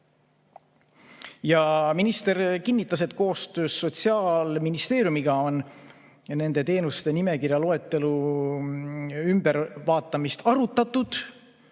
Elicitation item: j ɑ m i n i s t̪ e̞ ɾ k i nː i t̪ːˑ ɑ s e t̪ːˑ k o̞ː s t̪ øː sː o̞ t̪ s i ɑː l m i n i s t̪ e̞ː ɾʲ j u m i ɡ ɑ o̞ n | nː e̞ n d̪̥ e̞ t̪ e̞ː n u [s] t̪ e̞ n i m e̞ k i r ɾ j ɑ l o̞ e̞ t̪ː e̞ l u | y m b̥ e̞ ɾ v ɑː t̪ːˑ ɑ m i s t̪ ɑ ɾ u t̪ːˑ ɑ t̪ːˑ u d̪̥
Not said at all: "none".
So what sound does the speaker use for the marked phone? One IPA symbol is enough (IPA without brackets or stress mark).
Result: s